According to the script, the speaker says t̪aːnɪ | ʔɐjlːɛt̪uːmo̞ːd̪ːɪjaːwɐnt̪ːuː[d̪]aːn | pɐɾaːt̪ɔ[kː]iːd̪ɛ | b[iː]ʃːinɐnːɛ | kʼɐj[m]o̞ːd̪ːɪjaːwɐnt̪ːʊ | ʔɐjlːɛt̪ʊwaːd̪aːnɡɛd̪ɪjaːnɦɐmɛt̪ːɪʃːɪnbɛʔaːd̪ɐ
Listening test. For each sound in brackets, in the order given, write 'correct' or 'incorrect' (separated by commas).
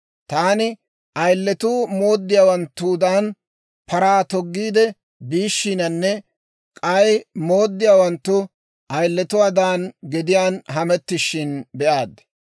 correct, incorrect, correct, correct